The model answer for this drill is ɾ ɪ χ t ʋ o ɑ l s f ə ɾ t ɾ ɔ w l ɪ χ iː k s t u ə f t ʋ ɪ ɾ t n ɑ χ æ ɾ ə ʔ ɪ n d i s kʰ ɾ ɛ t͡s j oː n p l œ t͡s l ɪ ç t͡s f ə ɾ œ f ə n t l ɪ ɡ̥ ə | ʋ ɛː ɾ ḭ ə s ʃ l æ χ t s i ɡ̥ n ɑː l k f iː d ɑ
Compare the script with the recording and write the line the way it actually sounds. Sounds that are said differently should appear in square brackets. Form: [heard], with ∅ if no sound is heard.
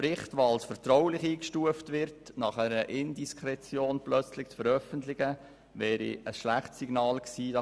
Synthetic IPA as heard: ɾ ɪ χ t ʋ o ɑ l s f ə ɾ t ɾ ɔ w l ɪ χ iː k [ʃ] t u ə f t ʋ ɪ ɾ t n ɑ χ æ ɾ ə ʔ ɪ n d i s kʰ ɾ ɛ t͡s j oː n p l œ t͡s l ɪ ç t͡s f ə ɾ œ f ə n t l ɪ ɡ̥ ə | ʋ ɛː ɾ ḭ ə s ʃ l æ χ t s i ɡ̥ n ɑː l k [s] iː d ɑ